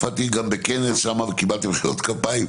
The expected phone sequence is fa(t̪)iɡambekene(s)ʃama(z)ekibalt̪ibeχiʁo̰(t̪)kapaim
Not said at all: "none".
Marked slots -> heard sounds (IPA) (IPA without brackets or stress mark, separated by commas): t̪, s, v, t̪